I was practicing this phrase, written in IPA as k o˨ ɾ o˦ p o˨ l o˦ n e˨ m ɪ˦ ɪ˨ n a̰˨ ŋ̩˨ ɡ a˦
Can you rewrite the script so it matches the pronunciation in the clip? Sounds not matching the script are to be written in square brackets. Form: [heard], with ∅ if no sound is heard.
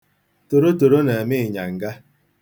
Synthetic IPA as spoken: [t] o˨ ɾ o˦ [t] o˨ [ɾ] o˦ n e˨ m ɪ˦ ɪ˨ [ɲ] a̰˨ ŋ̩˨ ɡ a˦